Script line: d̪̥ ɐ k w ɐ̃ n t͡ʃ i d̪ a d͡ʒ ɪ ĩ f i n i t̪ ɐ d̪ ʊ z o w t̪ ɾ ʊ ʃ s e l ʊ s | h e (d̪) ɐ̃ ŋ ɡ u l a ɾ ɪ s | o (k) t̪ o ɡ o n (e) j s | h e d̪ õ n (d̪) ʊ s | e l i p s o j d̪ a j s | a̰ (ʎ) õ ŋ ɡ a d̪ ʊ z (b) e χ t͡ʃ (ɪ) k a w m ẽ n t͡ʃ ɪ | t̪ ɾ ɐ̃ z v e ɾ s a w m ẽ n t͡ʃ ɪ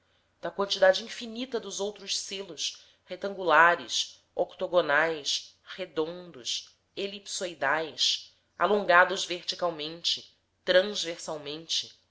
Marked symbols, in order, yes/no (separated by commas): no, yes, no, yes, no, no, no